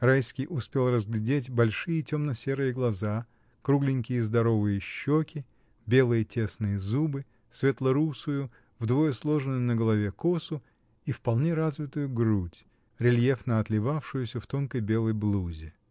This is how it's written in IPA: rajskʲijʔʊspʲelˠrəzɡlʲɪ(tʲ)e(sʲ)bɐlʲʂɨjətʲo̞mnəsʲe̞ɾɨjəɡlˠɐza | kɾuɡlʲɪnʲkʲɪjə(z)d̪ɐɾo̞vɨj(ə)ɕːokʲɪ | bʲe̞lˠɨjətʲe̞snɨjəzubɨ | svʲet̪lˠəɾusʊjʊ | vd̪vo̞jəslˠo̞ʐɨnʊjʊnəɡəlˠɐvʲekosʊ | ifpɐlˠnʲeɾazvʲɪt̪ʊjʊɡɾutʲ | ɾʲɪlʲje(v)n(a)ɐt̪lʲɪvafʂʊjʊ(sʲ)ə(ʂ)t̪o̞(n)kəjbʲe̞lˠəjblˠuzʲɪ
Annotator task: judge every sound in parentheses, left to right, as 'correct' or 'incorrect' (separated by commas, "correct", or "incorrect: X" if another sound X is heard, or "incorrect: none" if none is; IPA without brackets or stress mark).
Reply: incorrect: dʲ, incorrect: tʲ, correct, correct, incorrect: f, incorrect: ə, correct, incorrect: f, correct